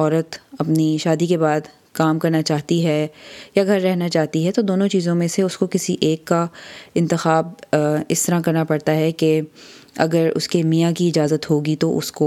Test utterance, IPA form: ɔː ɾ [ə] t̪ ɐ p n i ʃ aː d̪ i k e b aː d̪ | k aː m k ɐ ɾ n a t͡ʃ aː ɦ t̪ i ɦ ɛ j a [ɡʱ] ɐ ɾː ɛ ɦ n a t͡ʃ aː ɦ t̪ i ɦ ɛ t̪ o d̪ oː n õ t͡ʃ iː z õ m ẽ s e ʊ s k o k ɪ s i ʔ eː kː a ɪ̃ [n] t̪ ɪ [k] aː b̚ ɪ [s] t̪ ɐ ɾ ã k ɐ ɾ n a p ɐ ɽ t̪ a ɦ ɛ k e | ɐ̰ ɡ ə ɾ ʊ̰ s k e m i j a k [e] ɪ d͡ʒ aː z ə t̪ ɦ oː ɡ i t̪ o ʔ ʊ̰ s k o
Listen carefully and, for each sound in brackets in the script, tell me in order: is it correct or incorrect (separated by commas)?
correct, correct, correct, incorrect, correct, incorrect